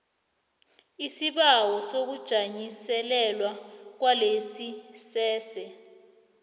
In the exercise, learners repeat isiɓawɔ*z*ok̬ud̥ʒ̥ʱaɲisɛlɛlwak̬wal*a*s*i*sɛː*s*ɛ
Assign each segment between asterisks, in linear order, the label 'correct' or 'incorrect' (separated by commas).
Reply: incorrect, incorrect, correct, correct